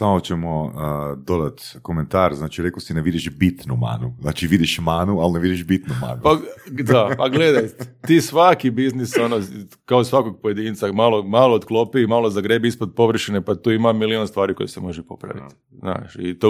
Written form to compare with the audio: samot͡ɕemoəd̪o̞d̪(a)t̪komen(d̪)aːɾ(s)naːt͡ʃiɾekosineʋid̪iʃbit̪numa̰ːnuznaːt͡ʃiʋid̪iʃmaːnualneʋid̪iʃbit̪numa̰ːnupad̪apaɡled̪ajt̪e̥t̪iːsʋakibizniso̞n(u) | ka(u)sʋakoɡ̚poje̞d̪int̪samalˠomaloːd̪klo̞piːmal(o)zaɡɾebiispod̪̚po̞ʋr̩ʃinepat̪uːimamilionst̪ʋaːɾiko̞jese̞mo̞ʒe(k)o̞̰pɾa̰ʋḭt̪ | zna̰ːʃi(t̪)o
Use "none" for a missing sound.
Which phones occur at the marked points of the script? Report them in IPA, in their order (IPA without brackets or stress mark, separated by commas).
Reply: a, t̪, z, o, o, o, p, t̪